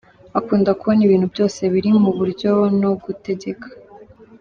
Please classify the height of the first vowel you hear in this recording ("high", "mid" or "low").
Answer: low